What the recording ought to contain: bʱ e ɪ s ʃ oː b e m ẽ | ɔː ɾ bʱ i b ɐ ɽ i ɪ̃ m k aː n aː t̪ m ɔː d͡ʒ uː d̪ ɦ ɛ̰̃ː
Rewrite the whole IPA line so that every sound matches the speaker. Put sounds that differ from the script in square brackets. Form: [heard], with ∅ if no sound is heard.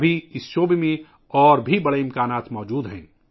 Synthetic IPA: bʱ [i] ɪ s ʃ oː b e m ẽ | ɔː ɾ bʱ i b ɐ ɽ [e] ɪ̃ m k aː n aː t̪ m ɔː d͡ʒ uː d̪ ɦ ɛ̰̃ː

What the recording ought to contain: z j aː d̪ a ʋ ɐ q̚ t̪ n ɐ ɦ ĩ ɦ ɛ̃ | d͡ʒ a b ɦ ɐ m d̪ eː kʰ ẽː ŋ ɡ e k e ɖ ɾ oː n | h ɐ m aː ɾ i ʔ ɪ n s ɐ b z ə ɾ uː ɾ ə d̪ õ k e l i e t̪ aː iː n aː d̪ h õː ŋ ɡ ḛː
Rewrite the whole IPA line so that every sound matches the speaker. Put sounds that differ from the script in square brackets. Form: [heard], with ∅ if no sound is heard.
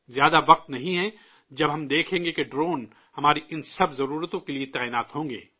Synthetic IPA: z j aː d̪ a ʋ ɐ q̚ t̪ n ɐ ɦ ĩ ɦ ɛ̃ | d͡ʒ [ɐ] b ɦ ɐ m d̪ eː kʰ ẽː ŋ ɡ e k e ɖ ɾ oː n | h ɐ m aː ɾ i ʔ ɪ n s ɐ b z [ɐ] ɾ uː ɾ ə [t̪] õ k e l i e t̪ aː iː n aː [t̪] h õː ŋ ɡ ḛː

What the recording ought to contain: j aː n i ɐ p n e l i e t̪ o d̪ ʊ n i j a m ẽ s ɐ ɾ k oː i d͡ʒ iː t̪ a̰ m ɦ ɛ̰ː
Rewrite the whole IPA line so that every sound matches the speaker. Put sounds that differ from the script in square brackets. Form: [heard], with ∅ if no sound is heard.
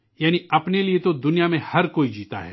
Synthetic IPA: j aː n i ɐ p n e l i e t̪ o d̪ ʊ n i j a m ẽ [h] ɐ ɾ k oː i d͡ʒ iː t̪ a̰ [∅] ɦ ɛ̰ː

